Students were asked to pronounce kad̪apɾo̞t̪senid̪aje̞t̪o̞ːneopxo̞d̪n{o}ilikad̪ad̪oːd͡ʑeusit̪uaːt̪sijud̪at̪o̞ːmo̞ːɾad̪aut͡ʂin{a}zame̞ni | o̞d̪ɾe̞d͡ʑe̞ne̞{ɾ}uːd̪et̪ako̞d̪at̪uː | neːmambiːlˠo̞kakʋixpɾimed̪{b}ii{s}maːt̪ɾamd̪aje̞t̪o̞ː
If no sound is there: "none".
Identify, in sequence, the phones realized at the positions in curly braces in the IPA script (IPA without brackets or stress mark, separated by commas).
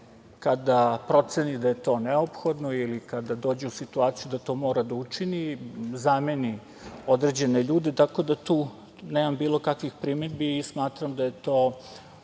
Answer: o, i, ʎ, b, s